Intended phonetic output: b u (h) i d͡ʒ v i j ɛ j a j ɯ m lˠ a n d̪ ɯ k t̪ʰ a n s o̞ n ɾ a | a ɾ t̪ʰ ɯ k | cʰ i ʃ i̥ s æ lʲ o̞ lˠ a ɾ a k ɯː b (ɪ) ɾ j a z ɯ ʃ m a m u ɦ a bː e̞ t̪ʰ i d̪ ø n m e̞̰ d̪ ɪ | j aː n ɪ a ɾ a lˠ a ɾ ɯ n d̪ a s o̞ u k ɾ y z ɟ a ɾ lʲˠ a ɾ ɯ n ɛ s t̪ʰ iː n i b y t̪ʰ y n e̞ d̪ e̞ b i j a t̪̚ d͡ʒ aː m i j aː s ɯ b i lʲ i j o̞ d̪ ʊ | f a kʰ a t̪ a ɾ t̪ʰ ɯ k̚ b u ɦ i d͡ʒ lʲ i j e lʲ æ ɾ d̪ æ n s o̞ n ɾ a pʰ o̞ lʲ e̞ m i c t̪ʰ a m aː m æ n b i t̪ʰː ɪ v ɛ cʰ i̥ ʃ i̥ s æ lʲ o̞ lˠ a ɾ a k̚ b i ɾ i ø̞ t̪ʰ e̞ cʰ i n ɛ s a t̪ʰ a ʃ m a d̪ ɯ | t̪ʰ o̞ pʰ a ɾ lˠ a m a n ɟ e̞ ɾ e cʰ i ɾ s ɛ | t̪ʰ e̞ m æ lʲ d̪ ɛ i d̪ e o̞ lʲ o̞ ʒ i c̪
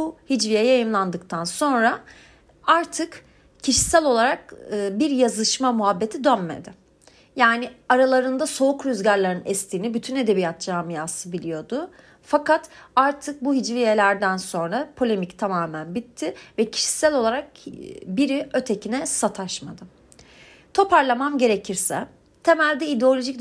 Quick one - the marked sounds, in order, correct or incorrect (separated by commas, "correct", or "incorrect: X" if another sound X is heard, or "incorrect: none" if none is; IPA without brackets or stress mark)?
correct, incorrect: i